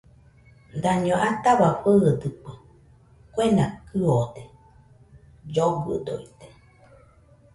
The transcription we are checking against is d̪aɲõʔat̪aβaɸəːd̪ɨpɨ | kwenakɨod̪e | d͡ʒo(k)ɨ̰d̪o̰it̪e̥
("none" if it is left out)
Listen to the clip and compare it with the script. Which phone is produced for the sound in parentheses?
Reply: ɡ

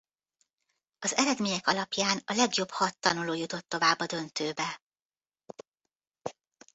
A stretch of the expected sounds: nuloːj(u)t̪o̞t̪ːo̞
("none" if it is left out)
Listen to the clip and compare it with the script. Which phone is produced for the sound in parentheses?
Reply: u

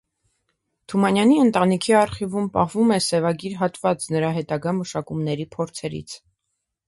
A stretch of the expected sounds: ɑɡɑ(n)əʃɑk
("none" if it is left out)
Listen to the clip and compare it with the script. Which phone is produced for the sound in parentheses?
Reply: m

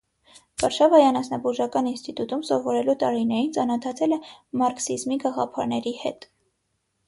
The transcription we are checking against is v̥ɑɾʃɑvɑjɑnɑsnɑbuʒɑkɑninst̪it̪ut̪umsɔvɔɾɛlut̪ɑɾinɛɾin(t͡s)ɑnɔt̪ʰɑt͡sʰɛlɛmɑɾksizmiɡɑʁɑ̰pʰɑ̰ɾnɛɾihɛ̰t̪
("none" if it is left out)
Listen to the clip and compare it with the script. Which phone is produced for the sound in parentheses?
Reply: t͡s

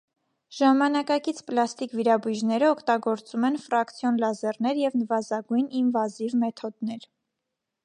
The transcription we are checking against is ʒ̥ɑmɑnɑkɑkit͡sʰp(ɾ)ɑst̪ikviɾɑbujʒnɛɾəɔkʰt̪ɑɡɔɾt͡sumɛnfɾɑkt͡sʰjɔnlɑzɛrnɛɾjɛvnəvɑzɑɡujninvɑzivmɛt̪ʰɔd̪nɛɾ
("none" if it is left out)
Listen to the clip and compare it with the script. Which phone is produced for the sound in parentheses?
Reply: l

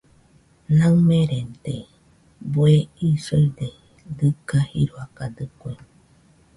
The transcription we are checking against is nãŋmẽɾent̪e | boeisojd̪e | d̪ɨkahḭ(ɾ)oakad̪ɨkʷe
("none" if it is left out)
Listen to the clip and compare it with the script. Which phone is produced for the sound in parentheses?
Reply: ɾ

